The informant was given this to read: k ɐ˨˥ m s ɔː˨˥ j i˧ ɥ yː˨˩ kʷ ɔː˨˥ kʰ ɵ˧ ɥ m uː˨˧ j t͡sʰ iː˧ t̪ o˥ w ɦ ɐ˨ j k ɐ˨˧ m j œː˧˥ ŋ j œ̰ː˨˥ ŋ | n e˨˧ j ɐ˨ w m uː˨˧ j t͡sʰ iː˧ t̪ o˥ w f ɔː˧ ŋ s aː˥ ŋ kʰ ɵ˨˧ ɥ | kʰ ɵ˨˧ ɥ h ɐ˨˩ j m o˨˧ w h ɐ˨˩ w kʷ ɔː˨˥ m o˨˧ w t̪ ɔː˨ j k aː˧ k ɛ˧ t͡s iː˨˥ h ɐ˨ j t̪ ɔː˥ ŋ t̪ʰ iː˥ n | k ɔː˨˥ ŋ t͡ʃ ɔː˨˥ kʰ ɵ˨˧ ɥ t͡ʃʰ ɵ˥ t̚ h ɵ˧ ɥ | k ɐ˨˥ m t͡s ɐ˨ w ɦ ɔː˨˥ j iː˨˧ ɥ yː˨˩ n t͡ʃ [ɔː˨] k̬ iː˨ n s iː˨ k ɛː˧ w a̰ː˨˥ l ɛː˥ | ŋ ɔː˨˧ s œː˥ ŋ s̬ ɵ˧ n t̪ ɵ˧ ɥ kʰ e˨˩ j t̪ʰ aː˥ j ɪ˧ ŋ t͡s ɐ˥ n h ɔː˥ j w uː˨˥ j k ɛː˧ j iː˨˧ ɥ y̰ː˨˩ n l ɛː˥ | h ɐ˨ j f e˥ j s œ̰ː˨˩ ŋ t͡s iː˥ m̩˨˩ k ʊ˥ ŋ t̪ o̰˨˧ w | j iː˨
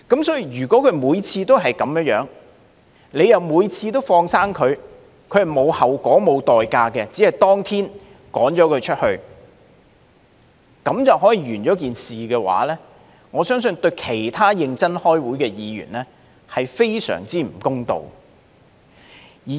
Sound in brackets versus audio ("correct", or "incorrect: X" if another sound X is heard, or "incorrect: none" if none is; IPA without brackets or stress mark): incorrect: ɔː˨˥